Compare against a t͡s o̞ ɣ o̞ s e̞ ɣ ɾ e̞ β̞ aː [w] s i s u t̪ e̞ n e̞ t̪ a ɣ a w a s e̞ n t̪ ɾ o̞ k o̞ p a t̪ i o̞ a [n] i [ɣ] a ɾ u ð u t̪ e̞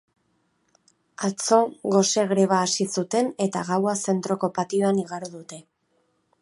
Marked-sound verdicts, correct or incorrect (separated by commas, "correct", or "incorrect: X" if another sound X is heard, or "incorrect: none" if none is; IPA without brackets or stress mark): incorrect: none, correct, correct